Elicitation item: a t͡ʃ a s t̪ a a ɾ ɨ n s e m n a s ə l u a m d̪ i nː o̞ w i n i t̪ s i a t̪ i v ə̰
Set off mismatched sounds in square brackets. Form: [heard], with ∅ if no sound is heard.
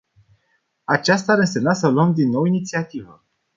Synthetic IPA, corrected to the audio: a t͡ʃ a s t̪ a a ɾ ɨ n s e m n a s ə l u [ə] m d̪ i nː o̞ w i n i t̪ s i a t̪ i v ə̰